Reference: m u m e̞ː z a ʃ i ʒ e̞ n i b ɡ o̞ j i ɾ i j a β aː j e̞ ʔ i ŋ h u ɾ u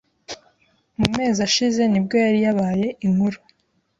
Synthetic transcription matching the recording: m u m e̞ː z a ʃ i z e̞ n i b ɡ o̞ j a ɾ i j a β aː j e̞ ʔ i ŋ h u ɾ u